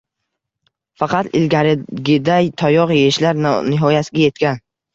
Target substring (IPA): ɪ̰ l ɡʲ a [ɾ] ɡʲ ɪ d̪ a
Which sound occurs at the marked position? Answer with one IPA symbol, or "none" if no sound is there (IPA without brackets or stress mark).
ɾ